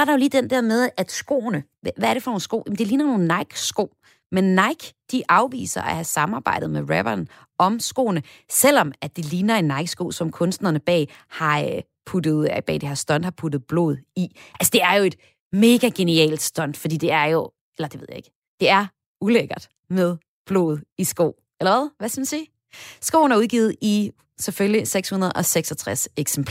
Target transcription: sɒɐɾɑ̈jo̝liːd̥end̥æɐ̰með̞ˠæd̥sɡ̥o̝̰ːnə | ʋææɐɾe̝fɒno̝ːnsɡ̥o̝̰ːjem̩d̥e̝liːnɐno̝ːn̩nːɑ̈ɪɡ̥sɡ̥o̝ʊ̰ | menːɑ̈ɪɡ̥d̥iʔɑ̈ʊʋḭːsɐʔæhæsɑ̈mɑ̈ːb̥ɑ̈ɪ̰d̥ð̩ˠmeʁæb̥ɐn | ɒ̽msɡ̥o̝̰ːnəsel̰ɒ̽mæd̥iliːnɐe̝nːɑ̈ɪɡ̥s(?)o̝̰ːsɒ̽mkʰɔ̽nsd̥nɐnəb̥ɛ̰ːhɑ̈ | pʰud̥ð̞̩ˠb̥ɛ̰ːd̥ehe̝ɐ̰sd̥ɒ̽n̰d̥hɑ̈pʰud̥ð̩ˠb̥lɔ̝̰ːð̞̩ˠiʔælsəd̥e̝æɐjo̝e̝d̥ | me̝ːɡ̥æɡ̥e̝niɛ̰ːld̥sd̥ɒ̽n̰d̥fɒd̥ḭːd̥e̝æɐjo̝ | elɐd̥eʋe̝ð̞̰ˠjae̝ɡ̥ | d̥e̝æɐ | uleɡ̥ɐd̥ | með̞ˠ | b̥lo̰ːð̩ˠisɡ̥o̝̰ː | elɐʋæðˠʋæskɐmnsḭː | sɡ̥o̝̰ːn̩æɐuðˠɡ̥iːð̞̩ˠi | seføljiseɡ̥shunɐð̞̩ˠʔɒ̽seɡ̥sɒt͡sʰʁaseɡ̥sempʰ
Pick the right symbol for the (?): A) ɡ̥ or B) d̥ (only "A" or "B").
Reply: A